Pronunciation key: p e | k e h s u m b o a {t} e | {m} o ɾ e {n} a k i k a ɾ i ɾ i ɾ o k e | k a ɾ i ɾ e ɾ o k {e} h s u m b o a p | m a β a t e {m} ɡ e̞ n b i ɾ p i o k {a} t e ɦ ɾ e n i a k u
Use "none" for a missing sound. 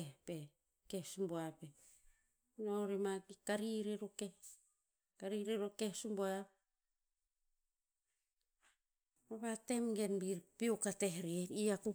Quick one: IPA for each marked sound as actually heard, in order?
p, n, m, e, m, a

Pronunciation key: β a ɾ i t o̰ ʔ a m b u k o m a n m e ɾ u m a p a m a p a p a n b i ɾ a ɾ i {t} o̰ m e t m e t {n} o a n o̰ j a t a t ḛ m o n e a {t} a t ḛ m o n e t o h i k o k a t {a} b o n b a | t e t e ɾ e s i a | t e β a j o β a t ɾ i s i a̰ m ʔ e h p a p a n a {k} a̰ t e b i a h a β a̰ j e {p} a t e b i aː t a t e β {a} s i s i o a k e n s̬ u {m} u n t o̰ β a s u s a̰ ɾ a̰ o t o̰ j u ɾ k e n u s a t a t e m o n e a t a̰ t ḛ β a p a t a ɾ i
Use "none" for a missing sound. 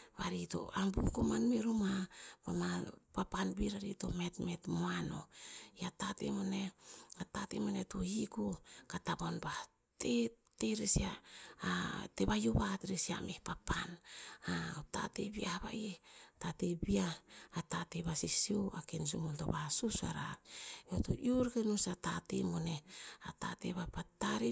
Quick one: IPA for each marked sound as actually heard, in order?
t, m, t, a, t, t, a, m

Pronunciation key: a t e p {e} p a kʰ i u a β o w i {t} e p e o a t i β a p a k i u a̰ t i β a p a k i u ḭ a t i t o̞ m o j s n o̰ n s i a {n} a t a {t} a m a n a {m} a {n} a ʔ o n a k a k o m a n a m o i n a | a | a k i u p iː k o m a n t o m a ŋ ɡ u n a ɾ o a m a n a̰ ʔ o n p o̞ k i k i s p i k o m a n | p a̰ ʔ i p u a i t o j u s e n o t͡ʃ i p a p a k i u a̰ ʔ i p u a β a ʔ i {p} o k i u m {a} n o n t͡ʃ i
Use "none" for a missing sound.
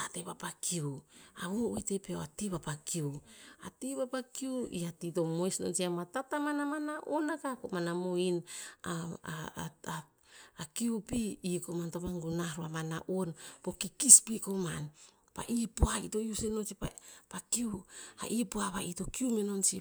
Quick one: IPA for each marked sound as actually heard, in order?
a, t, m, t, m, n, t, e

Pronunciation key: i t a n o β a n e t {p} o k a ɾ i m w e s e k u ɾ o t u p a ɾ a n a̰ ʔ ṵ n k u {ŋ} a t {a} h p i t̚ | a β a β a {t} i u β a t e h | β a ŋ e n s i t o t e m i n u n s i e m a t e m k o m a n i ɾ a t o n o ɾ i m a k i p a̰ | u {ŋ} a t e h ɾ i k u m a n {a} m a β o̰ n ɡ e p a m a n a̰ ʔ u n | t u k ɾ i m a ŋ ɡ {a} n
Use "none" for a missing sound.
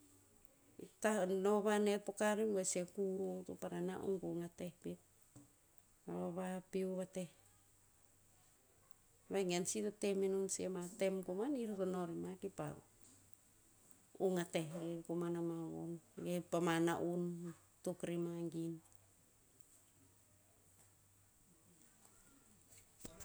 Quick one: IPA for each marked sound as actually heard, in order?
p, ŋ, e, p, ŋ, a, i

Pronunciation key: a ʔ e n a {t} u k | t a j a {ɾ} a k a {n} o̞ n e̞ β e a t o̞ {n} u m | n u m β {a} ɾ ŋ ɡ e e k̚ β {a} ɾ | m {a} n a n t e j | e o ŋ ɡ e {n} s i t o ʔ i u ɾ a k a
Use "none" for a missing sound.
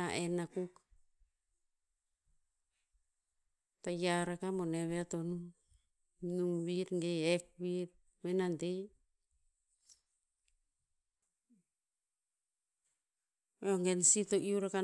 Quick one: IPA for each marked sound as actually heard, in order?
k, ɾ, m, n, i, i, e, n

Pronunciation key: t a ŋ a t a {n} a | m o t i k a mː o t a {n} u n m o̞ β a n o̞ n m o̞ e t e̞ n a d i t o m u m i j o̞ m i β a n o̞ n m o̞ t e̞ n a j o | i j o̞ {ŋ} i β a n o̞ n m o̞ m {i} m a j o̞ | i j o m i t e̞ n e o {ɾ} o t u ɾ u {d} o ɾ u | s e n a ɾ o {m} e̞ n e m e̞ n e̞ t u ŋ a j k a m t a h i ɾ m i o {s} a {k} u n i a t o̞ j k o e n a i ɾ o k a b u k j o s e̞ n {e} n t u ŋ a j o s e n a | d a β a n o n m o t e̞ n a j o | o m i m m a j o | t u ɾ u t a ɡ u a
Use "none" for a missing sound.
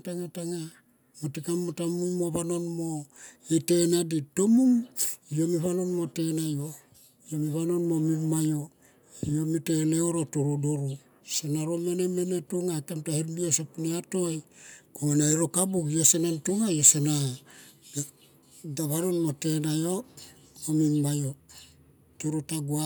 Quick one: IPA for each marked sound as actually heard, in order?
ŋ, m, m, i, ɾ, d, m, s, p, a

